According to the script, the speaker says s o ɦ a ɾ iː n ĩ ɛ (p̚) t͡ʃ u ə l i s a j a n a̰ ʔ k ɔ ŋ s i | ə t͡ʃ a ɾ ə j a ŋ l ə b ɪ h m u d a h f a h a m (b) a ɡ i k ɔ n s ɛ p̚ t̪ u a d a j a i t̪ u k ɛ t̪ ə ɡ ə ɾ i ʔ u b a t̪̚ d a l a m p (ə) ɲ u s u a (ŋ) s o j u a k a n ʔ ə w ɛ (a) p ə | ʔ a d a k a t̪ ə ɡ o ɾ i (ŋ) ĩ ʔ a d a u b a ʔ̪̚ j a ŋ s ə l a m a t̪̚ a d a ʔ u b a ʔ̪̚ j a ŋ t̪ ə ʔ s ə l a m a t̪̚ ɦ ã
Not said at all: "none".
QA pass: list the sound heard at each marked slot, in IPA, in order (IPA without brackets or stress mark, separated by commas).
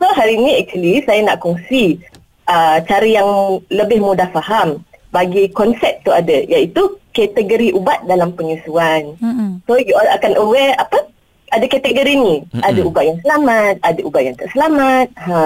k̚, b, ə, n, a, n